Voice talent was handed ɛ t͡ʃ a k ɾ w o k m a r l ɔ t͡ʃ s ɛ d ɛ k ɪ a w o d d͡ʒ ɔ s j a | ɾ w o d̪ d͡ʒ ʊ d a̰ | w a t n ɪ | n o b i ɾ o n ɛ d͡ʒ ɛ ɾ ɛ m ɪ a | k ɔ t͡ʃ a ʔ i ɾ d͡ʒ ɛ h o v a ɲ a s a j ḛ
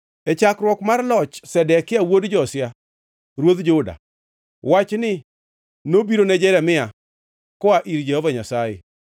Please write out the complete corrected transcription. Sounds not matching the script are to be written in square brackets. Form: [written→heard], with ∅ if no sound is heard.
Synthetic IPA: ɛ t͡ʃ a k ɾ w [o→ɔ] k m a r l ɔ t͡ʃ s ɛ d ɛ k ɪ a w o d d͡ʒ ɔ s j a | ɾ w o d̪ d͡ʒ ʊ d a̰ | w a [t→t͡ʃ] n ɪ | n o b i ɾ o n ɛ d͡ʒ ɛ ɾ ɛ m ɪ a | k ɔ [t͡ʃ→∅] a ʔ i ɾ d͡ʒ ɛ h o v a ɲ a s a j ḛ